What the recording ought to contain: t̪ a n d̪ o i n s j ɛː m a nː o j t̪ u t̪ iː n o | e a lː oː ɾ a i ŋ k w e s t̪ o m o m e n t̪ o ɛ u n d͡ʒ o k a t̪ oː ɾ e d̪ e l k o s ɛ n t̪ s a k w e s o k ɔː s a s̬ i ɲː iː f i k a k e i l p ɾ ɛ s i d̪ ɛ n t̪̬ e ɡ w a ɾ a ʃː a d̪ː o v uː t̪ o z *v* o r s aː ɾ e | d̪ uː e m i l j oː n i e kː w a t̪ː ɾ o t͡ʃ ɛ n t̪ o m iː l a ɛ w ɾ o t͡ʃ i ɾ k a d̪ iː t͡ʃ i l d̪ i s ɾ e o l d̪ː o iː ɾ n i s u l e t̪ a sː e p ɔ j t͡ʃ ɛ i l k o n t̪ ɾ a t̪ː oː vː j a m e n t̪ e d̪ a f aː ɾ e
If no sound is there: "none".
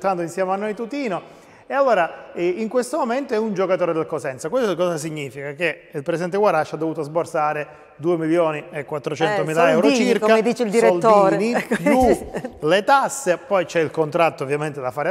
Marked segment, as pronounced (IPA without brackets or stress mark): b